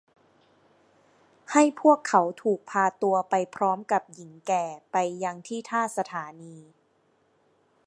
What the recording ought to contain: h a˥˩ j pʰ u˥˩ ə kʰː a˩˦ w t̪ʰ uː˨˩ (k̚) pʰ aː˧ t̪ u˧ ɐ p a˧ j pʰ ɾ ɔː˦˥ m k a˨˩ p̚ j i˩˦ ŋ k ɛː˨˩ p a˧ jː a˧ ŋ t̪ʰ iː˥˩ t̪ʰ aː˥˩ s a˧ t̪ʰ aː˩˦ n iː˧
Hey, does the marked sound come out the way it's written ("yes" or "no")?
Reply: yes